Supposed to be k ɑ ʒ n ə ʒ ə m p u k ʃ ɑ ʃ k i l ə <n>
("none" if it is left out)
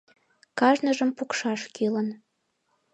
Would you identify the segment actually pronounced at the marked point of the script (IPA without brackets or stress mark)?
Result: n